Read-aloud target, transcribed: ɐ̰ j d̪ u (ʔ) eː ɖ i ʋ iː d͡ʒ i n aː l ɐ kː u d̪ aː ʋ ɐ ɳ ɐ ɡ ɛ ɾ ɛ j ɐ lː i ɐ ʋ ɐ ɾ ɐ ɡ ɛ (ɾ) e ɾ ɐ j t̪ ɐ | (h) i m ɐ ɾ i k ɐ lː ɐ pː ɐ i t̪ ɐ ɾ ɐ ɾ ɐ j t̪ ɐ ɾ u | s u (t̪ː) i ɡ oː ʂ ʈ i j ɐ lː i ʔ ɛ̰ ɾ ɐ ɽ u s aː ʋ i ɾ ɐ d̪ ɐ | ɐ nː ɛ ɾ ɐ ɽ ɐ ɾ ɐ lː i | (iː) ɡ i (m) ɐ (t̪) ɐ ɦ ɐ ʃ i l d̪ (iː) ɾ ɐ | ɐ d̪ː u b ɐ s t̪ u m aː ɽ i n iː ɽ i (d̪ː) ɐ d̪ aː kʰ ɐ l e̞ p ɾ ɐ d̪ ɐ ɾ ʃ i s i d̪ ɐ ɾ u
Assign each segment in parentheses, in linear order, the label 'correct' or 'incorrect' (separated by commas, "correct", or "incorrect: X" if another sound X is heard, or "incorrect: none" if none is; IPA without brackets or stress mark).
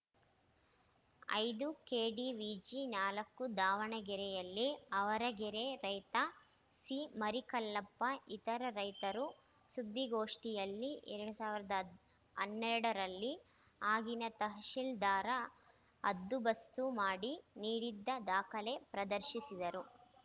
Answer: incorrect: k, correct, incorrect: s, incorrect: d̪ː, incorrect: aː, incorrect: n, correct, incorrect: aː, correct